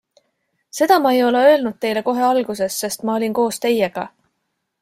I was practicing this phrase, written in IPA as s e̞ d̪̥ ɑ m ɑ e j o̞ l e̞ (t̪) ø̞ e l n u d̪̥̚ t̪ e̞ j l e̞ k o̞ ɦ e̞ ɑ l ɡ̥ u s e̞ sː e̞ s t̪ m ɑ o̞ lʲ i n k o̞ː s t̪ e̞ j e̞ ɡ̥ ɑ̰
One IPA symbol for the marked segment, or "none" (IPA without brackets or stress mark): none